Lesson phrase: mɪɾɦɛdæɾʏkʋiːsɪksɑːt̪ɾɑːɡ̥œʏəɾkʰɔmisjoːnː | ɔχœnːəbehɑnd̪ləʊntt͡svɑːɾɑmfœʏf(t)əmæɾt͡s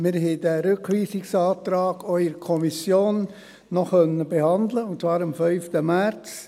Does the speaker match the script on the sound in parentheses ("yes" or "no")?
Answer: yes